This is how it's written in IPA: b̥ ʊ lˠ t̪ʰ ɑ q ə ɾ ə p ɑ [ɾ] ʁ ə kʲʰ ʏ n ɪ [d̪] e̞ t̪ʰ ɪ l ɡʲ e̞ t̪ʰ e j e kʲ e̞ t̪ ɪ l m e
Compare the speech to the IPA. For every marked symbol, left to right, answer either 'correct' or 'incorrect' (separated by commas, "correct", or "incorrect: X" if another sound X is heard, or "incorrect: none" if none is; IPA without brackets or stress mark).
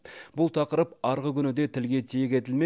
correct, correct